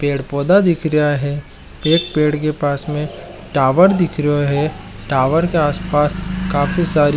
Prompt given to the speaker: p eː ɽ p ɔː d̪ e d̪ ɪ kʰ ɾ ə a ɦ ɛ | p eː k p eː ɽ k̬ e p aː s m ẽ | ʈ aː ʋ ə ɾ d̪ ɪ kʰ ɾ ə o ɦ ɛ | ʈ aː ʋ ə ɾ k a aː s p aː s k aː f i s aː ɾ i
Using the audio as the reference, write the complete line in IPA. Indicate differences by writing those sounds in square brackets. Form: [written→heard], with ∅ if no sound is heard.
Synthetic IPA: p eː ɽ p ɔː d̪ [e→a] d̪ ɪ kʰ ɾ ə a ɦ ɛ | p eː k p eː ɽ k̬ e p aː s m ẽ | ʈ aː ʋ ə ɾ d̪ ɪ kʰ ɾ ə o ɦ ɛ | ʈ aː ʋ ə ɾ k [a→e] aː s p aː s k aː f i s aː ɾ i

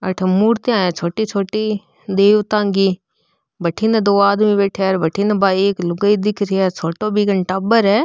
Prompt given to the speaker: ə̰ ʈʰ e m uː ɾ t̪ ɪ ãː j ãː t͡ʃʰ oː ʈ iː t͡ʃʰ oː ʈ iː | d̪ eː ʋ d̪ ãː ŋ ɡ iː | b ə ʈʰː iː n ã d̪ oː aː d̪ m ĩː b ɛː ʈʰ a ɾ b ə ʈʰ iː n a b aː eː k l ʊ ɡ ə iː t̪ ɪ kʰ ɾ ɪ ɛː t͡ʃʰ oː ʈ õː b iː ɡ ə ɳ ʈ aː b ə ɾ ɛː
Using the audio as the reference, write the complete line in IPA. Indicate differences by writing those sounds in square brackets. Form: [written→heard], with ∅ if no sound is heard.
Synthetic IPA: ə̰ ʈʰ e m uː ɾ t̪ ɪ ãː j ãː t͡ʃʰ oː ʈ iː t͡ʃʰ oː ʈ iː | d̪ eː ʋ [d̪→t̪] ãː ŋ ɡ iː | b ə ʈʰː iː n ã d̪ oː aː d̪ m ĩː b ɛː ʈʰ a ɾ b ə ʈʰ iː n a b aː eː k l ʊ ɡ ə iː [t̪→d̪] ɪ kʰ ɾ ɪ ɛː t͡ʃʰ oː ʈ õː b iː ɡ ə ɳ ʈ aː b ə ɾ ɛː

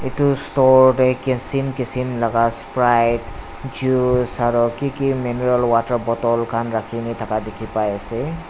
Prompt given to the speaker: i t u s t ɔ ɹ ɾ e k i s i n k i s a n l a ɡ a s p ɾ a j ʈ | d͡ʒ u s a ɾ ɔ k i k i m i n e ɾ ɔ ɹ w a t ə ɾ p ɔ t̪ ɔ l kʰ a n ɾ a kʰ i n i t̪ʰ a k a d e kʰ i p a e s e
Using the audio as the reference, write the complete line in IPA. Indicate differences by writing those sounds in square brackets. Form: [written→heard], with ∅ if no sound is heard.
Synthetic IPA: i t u s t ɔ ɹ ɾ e k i s i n k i s [a→i] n l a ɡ a s p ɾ a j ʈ | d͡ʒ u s a ɾ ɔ k i k i m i n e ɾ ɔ [ɹ→l] w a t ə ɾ [p→b] ɔ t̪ ɔ l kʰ a n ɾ a kʰ i n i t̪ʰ a k a d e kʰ i p a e s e

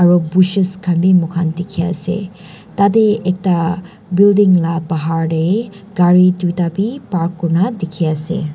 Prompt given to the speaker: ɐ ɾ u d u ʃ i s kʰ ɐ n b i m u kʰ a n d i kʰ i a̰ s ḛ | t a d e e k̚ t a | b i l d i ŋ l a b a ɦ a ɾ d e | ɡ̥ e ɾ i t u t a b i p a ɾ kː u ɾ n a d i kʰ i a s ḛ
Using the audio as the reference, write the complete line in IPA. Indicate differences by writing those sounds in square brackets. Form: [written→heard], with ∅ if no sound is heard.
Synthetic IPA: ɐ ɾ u [d→b] u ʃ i s kʰ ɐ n b i m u kʰ a n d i kʰ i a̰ s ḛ | t a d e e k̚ t a | b i l d i ŋ l a b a ɦ a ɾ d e | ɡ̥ [e→a] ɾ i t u t a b i p a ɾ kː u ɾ n a d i kʰ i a s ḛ

